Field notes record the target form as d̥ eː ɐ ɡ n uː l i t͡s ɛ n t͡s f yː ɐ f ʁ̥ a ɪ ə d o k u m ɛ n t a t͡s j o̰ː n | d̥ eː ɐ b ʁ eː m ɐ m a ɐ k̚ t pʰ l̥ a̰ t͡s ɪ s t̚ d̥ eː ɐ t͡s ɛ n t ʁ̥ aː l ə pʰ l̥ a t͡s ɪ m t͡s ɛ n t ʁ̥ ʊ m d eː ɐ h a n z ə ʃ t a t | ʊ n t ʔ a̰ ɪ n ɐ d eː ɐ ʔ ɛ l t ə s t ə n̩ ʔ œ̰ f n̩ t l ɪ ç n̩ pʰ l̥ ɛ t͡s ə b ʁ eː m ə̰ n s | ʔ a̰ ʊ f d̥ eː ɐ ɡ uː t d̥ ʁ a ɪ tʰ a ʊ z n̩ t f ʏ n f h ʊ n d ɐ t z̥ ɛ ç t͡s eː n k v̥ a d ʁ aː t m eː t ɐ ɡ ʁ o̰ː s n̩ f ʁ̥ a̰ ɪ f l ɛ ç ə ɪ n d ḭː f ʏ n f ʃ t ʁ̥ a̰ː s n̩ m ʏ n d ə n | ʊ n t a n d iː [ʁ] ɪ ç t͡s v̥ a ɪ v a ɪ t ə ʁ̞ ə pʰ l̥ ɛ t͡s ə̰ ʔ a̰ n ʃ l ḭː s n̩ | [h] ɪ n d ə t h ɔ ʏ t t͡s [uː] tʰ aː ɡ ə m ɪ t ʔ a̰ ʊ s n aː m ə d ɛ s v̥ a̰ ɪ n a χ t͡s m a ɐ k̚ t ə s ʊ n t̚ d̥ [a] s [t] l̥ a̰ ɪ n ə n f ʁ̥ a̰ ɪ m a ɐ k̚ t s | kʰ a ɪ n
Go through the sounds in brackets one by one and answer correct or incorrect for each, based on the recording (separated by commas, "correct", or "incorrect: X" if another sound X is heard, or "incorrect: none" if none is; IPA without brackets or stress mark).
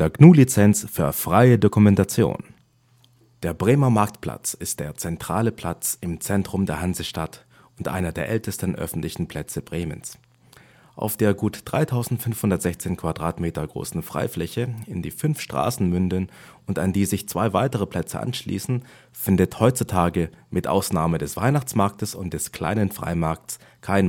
incorrect: z, incorrect: f, incorrect: u, incorrect: ɛ, incorrect: k